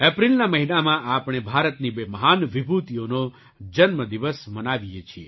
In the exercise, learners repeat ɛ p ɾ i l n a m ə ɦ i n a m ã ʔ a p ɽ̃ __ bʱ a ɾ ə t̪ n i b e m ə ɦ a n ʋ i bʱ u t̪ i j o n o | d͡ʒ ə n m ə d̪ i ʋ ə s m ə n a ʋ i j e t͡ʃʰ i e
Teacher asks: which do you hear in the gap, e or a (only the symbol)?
e